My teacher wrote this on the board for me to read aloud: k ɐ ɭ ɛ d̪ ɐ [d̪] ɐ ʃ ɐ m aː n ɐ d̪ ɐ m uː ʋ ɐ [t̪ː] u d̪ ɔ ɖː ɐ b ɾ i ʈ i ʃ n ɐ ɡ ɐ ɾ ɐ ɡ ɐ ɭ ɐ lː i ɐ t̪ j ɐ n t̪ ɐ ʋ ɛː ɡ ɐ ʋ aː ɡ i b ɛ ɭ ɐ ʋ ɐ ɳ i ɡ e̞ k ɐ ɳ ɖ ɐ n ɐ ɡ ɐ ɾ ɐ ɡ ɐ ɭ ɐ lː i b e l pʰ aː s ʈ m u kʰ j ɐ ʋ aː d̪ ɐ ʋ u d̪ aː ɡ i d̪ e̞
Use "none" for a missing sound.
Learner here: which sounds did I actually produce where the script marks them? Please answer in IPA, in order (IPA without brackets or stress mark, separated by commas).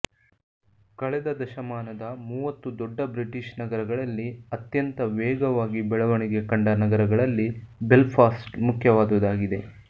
d̪, t̪ː